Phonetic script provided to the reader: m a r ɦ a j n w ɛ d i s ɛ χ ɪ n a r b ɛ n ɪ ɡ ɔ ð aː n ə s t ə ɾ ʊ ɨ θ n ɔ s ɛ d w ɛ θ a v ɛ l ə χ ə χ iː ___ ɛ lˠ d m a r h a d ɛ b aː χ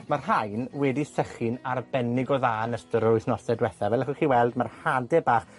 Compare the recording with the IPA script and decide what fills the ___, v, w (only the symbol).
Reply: w